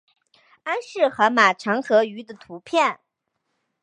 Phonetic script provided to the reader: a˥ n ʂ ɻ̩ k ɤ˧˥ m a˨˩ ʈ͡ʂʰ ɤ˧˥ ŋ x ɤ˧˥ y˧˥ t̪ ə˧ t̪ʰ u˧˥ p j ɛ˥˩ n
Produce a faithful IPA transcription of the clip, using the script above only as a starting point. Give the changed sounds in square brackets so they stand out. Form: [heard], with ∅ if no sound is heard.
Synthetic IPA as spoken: a˥ n ʂ ɻ̩ [x] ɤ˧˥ m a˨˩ ʈ͡ʂʰ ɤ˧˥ ŋ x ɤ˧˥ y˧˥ [d̪] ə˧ t̪ʰ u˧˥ [pʰ] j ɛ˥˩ n